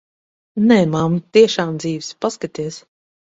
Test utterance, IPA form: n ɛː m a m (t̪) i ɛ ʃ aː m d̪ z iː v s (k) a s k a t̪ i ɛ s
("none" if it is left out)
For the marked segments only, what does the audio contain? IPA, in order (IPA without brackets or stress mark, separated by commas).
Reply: t̪, p